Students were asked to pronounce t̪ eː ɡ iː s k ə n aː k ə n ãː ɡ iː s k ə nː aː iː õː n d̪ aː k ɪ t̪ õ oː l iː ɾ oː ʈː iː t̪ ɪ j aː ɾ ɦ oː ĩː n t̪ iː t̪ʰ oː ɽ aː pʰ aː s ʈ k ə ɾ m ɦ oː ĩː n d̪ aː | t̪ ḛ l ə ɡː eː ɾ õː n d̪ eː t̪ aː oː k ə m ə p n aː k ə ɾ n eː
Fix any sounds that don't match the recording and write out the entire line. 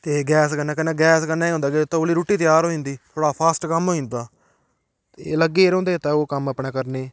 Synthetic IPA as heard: t̪ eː ɡ ɛː s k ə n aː k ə n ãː ɡ ɛː s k ə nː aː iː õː n d̪ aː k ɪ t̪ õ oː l iː ɾ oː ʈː iː t̪ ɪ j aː ɾ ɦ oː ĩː n d̪ iː t̪ʰ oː ɽ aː pʰ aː s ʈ k ə m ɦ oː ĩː n d̪ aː | t̪ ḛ l ə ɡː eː ɾ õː n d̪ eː t̪ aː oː k ə m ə p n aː k ə ɾ n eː